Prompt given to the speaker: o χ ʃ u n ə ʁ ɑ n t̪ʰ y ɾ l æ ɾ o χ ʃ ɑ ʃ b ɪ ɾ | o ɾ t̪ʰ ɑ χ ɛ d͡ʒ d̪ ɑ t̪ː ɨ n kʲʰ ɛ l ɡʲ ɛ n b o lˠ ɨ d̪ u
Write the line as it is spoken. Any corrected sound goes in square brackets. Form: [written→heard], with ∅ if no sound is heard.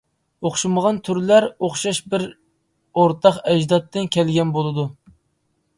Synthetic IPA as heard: o χ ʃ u [n→m] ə ʁ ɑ n t̪ʰ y ɾ l æ ɾ o χ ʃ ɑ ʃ b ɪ ɾ | o ɾ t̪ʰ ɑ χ ɛ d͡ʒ d̪ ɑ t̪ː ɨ n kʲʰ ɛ l ɡʲ ɛ n b o lˠ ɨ d̪ u

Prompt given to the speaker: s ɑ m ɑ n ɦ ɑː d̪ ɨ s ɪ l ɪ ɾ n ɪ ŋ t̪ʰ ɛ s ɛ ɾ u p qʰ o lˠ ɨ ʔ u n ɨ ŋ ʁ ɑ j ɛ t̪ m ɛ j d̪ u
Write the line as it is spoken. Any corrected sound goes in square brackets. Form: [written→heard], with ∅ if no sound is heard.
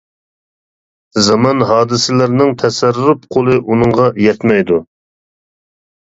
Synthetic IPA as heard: [s→z] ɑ m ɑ n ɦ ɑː d̪ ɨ s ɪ l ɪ ɾ n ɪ ŋ t̪ʰ ɛ s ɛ ɾ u p qʰ o lˠ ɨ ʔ u n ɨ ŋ ʁ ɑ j ɛ t̪ m ɛ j d̪ u

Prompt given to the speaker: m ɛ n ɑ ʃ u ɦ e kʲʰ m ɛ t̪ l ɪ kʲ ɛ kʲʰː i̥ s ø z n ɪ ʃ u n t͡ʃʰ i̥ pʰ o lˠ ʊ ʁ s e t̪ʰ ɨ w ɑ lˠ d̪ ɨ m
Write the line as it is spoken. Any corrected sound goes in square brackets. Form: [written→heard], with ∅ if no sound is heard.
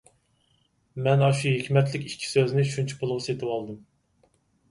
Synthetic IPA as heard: m ɛ n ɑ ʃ u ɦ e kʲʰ m ɛ t̪ l ɪ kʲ [ɛ→i] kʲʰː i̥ s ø z n ɪ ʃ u n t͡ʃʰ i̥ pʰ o lˠ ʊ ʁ s e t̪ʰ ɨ w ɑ lˠ d̪ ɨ m

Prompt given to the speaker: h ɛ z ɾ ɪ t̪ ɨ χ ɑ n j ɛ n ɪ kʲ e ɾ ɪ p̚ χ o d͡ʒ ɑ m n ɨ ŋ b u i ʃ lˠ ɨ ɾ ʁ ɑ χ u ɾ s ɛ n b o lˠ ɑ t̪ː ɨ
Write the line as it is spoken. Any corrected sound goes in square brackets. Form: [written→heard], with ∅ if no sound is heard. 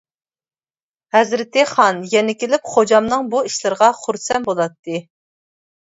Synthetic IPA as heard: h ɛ z ɾ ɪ t̪ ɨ χ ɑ n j ɛ n ɪ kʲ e [ɾ→l] ɪ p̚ χ o d͡ʒ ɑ m n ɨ ŋ b u i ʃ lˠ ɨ ɾ ʁ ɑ χ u ɾ s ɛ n b o lˠ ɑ t̪ː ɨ

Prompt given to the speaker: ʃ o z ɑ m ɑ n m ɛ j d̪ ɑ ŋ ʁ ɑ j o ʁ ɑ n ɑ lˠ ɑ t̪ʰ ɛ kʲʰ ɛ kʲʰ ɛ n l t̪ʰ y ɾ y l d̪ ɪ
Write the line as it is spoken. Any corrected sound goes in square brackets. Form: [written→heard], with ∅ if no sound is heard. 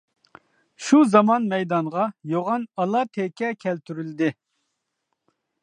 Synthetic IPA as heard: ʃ [o→u] z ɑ m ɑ n m ɛ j d̪ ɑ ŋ ʁ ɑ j o ʁ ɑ n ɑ lˠ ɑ t̪ʰ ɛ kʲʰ ɛ kʲʰ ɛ [n→∅] l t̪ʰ y ɾ y l d̪ ɪ

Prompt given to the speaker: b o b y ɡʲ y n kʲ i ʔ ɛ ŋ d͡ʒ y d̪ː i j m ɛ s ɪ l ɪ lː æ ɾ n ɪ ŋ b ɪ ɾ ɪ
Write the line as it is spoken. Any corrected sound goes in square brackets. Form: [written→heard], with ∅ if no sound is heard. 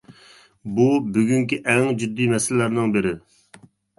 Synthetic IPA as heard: b [o→u] b y ɡʲ y [n→ŋ] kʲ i ʔ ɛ ŋ d͡ʒ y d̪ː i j m ɛ s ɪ l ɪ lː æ ɾ n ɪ ŋ b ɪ ɾ ɪ

